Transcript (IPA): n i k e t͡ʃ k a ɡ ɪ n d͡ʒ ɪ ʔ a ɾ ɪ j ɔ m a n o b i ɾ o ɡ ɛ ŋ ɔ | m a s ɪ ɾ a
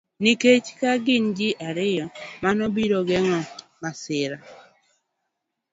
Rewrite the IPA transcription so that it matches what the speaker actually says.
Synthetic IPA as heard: n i k e t͡ʃ k a ɡ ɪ n d͡ʒ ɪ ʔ a ɾ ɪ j ɔ m a n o b i ɾ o ɡ ɛ ŋ ɔ | m a s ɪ ɾ a